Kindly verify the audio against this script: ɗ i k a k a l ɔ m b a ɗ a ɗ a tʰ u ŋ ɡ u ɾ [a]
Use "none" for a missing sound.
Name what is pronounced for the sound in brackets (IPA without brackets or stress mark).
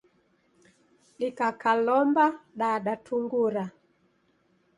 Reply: a